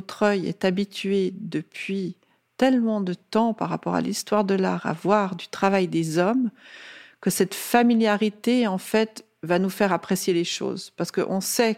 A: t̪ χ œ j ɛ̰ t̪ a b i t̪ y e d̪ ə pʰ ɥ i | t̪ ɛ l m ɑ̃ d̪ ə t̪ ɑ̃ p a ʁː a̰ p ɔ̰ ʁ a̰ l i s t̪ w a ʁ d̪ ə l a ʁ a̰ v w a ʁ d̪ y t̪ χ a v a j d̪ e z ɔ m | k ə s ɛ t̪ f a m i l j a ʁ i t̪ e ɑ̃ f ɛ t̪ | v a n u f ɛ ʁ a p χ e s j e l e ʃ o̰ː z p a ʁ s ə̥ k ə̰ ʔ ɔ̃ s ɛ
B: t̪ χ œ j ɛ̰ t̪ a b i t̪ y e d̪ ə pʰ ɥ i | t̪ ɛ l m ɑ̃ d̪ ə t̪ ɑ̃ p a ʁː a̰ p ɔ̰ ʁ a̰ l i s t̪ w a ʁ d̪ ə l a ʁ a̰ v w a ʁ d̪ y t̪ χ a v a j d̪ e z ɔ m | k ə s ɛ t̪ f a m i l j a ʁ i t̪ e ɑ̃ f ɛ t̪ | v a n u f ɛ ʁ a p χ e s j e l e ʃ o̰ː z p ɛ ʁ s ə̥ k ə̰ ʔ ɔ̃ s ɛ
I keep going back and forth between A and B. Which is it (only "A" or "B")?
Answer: A